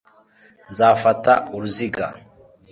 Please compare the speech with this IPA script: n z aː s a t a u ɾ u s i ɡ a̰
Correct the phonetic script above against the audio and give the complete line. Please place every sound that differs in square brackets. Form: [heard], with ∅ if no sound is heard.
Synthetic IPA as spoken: n z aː [f] a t a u ɾ u [z] i ɡ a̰